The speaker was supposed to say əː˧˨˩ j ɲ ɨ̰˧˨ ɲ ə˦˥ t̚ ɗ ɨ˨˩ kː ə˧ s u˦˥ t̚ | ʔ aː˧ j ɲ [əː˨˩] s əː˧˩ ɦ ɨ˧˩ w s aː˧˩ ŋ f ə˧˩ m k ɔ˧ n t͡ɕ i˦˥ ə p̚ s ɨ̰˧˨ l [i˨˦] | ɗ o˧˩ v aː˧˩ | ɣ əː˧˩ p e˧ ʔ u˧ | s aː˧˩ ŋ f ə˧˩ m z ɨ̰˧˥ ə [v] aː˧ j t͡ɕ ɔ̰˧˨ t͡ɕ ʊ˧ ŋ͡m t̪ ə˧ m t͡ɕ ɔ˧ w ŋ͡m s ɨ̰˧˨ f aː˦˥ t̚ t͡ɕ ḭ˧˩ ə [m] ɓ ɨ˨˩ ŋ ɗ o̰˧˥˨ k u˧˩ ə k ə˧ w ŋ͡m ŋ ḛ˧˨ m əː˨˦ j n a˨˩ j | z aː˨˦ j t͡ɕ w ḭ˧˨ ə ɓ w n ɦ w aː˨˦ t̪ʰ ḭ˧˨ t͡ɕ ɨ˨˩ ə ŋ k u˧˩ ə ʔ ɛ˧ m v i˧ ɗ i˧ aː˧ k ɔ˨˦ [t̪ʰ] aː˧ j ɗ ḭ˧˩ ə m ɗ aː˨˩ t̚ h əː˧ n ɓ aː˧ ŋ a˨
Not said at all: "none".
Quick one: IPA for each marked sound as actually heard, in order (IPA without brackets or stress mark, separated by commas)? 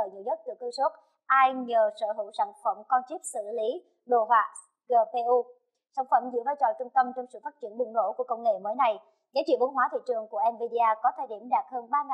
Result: əː˨˩, i˨˦, v, n, t̪ʰ